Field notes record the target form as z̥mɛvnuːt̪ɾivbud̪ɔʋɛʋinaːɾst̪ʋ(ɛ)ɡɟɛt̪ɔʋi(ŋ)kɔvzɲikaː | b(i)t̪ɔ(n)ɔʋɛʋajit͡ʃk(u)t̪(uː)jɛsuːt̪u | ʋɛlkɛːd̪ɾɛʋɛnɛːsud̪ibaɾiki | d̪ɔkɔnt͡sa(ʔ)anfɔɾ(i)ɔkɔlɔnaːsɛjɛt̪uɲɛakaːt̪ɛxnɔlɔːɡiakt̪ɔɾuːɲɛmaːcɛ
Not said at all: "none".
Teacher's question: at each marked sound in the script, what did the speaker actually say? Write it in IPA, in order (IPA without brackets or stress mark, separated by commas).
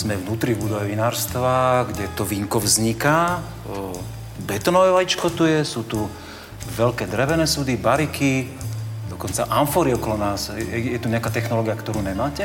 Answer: a, ŋ, ɛ, n, ɔ, u, ʔ, i